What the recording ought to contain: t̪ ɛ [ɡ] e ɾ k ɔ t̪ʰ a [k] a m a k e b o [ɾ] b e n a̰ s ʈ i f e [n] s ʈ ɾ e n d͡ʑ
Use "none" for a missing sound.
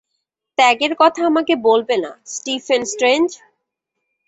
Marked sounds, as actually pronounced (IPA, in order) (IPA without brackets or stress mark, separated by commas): ɡ, none, l, n